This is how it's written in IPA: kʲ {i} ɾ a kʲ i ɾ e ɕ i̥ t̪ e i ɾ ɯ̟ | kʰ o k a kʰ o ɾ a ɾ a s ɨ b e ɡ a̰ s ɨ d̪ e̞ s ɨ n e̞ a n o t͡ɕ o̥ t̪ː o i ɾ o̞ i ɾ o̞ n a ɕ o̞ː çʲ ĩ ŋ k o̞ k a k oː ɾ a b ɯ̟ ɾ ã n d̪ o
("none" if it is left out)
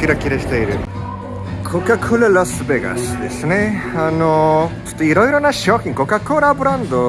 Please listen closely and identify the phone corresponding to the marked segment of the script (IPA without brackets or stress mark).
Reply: i